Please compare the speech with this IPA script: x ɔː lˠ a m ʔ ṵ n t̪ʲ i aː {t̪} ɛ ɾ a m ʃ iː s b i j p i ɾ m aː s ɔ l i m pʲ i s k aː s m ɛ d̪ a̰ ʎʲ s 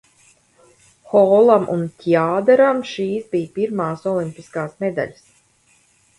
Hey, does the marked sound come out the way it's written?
no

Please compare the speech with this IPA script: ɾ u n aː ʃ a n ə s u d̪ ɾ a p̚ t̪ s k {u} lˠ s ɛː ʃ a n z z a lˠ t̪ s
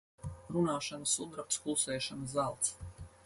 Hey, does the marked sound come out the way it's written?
yes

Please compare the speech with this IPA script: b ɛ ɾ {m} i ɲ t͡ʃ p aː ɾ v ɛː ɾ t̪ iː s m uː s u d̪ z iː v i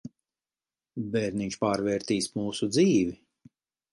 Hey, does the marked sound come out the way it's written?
no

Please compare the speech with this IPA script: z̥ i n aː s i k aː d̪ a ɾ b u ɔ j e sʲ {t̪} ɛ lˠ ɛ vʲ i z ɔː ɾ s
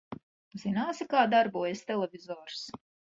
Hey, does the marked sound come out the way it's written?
yes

